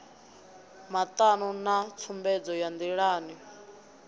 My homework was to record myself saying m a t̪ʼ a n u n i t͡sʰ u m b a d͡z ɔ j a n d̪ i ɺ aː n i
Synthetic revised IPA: m a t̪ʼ a n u n a t͡sʰ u m b ɛ d͡z ɔ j a n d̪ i ɺ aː n i